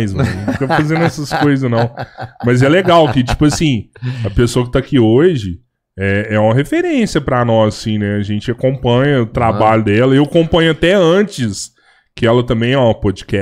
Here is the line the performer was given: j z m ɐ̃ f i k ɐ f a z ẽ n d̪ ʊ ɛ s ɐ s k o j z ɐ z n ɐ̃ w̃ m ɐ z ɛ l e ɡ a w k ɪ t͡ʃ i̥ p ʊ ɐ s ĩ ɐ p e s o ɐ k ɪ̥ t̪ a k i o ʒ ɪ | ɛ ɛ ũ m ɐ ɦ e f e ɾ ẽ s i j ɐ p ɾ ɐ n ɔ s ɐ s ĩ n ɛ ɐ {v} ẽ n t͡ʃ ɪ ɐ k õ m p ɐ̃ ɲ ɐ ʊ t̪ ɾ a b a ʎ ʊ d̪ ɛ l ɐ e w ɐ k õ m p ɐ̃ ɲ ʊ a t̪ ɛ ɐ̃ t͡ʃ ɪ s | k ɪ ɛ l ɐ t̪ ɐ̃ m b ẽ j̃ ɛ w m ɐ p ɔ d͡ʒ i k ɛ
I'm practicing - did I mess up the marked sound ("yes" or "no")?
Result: yes